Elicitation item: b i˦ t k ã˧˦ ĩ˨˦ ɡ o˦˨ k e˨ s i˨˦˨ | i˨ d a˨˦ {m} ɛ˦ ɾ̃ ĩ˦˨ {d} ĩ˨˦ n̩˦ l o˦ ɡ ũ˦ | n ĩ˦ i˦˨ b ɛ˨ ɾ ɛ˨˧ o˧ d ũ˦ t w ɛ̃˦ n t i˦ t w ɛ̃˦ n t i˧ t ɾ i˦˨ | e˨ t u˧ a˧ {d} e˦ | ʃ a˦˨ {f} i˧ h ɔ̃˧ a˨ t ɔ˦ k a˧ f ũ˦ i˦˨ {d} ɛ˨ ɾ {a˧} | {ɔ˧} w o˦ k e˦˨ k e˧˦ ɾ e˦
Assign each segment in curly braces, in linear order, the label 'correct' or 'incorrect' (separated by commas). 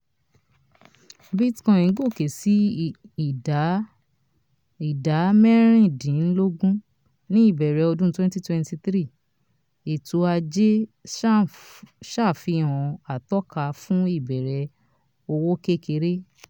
correct, correct, incorrect, correct, incorrect, incorrect, incorrect